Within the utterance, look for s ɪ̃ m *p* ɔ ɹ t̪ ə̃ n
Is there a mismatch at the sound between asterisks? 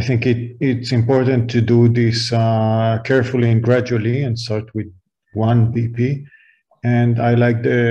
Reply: no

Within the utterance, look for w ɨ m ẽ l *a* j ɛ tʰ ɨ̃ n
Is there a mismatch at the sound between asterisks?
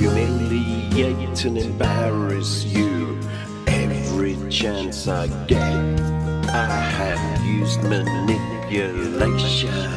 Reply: yes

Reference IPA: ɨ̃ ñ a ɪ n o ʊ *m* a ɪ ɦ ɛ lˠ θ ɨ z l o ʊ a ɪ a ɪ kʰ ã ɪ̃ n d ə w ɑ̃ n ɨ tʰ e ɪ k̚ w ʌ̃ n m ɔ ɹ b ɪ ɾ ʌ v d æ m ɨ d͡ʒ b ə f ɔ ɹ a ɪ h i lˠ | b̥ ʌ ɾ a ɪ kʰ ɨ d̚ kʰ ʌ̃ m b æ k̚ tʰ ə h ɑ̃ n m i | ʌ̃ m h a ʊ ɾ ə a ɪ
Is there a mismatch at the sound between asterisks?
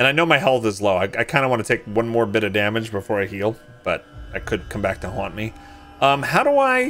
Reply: no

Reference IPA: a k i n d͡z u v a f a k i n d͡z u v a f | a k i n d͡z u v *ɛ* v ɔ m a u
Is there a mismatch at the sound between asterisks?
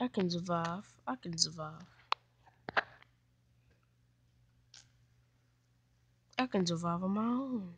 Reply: yes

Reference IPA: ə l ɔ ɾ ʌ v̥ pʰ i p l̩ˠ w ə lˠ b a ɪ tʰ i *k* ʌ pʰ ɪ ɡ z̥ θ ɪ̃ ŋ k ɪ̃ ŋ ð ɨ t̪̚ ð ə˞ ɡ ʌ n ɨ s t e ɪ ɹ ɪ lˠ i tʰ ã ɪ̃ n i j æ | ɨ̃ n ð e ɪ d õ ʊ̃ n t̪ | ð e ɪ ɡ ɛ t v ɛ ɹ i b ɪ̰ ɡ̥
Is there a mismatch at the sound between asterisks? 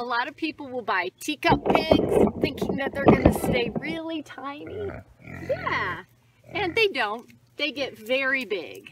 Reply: no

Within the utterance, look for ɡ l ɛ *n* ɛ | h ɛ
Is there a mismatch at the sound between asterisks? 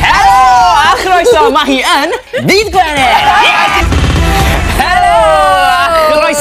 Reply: no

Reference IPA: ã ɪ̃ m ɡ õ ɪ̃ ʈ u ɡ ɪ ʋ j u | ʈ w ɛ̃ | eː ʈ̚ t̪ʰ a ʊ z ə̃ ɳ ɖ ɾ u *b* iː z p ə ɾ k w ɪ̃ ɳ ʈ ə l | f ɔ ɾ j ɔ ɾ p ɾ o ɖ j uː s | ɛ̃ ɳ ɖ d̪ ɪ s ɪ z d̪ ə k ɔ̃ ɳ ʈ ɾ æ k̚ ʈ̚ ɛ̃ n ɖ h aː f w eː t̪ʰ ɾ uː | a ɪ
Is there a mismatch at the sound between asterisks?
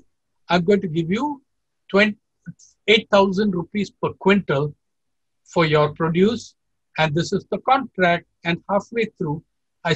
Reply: yes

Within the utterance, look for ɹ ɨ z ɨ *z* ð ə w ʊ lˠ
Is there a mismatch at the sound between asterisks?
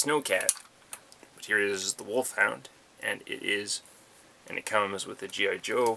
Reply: no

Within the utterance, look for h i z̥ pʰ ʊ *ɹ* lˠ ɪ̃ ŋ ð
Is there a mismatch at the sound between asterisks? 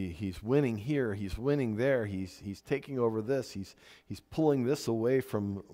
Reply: yes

